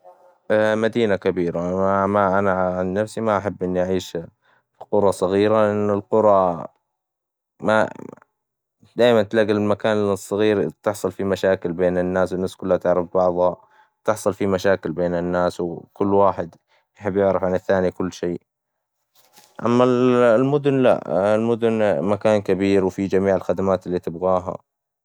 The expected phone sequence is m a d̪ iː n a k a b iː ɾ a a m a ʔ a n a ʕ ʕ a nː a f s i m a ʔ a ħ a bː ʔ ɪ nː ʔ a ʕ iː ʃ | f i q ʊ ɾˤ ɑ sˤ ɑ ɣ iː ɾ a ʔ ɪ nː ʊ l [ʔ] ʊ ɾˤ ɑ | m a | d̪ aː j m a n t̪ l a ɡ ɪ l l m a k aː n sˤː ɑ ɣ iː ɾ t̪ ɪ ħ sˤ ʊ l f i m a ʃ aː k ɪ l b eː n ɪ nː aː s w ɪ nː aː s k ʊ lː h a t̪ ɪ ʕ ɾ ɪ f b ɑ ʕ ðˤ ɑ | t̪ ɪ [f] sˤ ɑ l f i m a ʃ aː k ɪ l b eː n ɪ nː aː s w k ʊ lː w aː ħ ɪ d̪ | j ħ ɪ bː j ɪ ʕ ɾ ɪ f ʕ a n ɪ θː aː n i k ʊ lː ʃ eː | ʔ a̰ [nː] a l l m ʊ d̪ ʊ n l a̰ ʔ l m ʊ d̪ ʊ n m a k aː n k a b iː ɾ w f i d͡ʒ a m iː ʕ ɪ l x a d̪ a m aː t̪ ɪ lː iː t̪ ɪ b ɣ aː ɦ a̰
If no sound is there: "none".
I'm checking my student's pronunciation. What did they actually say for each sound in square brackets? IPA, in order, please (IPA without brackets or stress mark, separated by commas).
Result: q, ħ, mː